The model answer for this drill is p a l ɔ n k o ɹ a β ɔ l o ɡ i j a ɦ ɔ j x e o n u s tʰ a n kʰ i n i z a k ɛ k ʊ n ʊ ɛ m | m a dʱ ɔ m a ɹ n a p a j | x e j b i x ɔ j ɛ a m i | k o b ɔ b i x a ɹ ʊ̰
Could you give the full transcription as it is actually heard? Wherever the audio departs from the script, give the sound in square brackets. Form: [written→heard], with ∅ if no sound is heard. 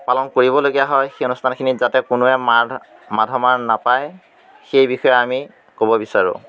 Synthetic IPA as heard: p a l ɔ n k o ɹ [a→i] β ɔ l o ɡ i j a ɦ ɔ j x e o n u s tʰ a n kʰ i n i z a [k→t] ɛ k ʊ n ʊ ɛ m | m a dʱ ɔ m a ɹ n a p a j | x e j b i x ɔ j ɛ a m i | k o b ɔ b i [x→s] a ɹ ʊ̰